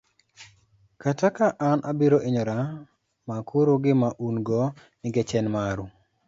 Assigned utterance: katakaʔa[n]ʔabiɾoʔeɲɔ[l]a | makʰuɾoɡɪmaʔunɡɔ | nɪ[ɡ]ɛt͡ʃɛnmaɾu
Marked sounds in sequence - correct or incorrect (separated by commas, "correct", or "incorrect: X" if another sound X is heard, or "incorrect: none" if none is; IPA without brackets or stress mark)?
correct, incorrect: ɾ, correct